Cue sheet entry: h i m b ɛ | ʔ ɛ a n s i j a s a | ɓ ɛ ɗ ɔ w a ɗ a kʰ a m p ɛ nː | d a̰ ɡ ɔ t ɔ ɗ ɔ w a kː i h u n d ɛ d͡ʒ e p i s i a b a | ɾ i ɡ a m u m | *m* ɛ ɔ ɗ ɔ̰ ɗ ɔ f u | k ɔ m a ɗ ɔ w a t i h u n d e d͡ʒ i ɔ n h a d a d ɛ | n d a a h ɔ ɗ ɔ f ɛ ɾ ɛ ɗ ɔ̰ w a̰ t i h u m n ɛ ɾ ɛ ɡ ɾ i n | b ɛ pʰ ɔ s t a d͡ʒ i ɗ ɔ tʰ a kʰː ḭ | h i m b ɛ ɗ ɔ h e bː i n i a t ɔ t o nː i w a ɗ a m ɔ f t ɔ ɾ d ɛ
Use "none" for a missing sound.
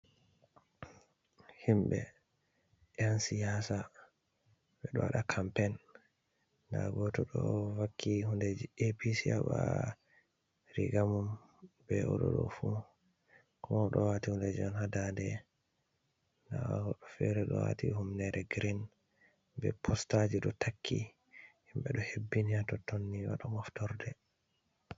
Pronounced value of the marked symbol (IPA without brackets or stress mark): b